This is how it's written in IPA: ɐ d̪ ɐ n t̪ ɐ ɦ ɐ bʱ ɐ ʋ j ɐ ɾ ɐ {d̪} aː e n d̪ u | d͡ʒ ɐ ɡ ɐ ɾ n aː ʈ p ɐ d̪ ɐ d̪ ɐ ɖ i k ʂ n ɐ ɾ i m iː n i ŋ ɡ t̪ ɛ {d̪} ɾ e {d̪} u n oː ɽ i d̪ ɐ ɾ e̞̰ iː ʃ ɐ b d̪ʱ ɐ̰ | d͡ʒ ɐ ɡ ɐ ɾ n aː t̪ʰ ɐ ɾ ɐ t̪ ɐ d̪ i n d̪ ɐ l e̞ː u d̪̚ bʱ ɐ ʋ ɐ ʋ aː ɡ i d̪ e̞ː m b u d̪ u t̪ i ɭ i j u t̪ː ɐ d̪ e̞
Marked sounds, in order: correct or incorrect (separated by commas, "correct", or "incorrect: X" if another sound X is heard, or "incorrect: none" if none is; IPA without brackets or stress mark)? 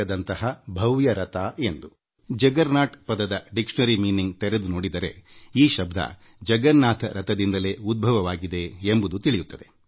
incorrect: t̪, incorrect: none, correct